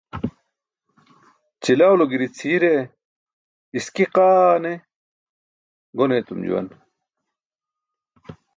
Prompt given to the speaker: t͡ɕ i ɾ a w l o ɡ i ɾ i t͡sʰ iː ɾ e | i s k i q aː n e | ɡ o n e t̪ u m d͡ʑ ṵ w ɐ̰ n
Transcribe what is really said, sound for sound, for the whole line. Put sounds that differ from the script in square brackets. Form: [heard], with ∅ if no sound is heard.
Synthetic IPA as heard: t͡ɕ i [l] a w l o ɡ i ɾ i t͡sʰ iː ɾ e | i s k i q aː n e | ɡ o n e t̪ u m d͡ʑ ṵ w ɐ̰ n